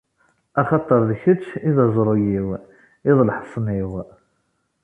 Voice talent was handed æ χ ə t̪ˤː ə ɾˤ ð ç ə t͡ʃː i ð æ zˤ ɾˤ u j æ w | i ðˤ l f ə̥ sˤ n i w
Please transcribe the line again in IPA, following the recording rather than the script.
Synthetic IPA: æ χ ɑ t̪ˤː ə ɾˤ ð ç ə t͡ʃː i ð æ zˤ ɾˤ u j i w | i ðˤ l ħ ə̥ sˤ n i w